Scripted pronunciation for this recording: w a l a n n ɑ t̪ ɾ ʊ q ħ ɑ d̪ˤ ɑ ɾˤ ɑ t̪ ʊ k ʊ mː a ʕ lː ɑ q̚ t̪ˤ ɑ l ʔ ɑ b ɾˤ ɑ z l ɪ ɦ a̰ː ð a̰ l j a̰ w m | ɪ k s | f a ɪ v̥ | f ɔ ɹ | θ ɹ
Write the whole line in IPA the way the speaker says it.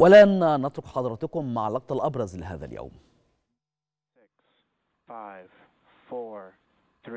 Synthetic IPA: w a l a n n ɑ t̪ ɾ ʊ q ħ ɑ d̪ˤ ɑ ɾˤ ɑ t̪ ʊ k ʊ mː a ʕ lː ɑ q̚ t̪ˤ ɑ l ʔ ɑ b ɾˤ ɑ z l ɪ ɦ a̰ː ð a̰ l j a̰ w m | ɪ k s | f a ɪ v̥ | f ɔ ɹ | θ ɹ